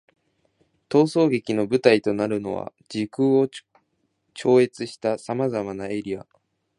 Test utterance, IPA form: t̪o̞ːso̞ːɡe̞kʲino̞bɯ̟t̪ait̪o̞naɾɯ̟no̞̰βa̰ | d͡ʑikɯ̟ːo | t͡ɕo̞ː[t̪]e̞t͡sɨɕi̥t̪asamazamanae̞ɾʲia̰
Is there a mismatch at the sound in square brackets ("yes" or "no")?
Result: yes